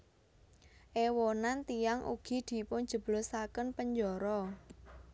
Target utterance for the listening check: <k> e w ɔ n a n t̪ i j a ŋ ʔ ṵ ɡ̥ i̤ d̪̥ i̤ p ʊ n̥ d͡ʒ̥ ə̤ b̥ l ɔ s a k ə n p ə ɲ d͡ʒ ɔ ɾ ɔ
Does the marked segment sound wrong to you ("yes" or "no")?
yes